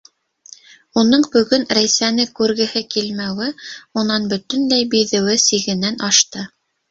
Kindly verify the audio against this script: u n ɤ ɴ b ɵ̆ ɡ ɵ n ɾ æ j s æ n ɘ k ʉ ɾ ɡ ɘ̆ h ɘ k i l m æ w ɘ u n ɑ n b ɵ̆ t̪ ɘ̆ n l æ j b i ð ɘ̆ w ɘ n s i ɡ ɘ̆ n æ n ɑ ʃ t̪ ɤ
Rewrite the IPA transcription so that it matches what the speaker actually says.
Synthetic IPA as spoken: u n ɤ ɴ b ɵ̆ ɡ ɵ n ɾ æ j s æ n ɘ k ʉ ɾ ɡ ɘ̆ h ɘ k i l m æ w ɘ u n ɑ n b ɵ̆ t̪ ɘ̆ n l æ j b i ð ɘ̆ w ɘ s i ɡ ɘ̆ n æ n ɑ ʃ t̪ ɤ